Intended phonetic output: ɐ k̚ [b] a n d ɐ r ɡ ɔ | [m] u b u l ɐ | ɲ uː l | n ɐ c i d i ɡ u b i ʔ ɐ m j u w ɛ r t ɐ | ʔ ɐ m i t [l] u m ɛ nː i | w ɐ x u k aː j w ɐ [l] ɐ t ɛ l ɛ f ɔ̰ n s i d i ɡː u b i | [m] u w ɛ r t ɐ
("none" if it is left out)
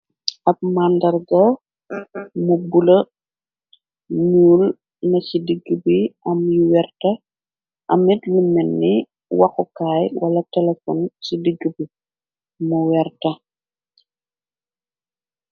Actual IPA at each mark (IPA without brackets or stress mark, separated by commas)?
m, m, l, l, m